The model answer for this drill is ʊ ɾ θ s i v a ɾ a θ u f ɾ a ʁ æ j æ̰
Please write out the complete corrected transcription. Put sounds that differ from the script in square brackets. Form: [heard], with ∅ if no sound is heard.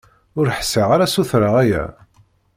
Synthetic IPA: ʊ ɾ [ħ] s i [ʁ] a ɾ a [s] u [θ] ɾ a ʁ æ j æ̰